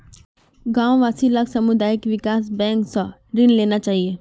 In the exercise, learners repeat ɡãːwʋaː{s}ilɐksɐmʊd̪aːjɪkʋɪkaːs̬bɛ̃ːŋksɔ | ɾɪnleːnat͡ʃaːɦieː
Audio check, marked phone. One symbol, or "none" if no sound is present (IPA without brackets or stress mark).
s